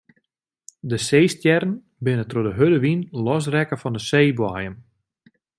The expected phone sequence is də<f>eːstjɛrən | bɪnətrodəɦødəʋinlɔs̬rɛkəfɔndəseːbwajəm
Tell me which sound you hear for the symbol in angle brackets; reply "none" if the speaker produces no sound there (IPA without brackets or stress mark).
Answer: s